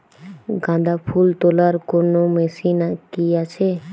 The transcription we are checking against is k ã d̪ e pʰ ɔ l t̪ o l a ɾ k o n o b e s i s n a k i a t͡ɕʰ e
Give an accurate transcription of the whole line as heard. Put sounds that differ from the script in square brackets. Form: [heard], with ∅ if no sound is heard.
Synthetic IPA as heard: [ɡ] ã d̪ [a] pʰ [u] l t̪ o l a ɾ k o n o [m] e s i [∅] n a k i a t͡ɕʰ e